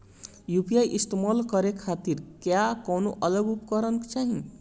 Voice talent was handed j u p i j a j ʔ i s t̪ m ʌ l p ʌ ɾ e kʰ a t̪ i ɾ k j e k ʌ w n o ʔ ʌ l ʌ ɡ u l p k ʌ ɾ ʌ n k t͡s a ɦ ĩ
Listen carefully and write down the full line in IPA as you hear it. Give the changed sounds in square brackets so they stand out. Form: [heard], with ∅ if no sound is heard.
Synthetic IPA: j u p i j a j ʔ i s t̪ m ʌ l [k] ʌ ɾ e kʰ a t̪ i ɾ k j [a] k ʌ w n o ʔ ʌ l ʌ ɡ u [∅] p k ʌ ɾ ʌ n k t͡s a ɦ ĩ